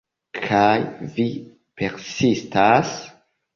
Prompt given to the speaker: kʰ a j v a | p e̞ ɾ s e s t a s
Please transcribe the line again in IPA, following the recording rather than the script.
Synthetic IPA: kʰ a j v i | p e̞ ɾ s i s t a s